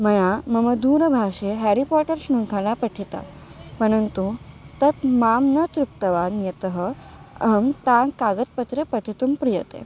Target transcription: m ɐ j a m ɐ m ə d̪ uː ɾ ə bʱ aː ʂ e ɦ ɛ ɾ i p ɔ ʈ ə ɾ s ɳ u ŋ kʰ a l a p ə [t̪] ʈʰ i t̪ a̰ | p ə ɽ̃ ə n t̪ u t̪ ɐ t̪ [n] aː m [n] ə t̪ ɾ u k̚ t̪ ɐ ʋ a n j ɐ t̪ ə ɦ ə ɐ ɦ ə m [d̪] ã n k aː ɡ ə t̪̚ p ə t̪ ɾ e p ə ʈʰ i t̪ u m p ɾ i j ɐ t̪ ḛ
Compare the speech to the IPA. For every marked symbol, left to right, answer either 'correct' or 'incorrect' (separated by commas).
incorrect, incorrect, correct, incorrect